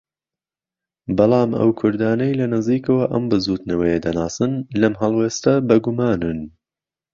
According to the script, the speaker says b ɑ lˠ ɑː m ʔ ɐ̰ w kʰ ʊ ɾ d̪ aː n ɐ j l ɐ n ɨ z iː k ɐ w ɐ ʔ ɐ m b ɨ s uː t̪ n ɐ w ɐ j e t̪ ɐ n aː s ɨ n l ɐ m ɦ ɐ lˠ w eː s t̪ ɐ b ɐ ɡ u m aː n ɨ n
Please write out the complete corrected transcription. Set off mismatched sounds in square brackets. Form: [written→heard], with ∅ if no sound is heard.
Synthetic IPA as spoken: b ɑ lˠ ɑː m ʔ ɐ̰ w kʰ ʊ ɾ d̪ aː n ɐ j l ɐ n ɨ z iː k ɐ w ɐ ʔ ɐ m b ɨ [s→z] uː t̪ n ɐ w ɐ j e [t̪→d̪] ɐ n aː s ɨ n l ɐ m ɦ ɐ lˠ w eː s t̪ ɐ b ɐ ɡ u m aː n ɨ n